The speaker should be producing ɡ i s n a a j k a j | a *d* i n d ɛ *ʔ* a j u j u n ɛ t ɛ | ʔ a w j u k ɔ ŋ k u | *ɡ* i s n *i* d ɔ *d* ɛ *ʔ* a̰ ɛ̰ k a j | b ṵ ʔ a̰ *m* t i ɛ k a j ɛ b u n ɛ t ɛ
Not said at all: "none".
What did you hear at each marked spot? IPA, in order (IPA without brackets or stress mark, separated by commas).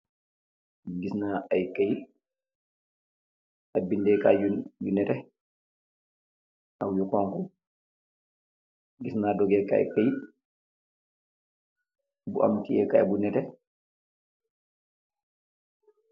b, k, ɡ, a, ɡ, k, m